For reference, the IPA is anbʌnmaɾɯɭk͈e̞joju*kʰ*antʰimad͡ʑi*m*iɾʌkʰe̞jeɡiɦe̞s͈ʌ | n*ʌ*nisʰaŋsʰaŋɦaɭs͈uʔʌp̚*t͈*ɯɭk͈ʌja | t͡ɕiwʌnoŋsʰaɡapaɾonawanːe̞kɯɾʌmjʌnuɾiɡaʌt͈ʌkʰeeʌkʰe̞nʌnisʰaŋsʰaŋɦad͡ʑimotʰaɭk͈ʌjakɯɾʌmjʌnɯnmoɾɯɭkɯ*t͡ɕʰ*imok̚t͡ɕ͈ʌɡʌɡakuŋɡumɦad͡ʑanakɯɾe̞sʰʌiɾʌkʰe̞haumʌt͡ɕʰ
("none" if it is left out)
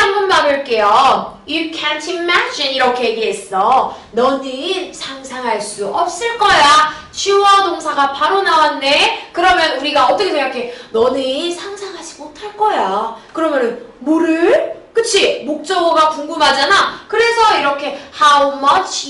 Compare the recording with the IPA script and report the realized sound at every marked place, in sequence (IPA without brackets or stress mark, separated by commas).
kʰ, n, ʌ, s͈, t͡ɕʰ